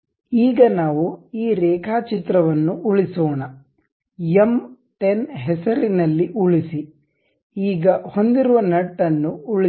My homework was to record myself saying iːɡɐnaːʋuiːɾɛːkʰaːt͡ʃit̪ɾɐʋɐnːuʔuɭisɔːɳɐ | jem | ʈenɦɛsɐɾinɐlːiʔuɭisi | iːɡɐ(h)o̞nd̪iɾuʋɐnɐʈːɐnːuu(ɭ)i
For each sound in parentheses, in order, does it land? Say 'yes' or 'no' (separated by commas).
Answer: yes, yes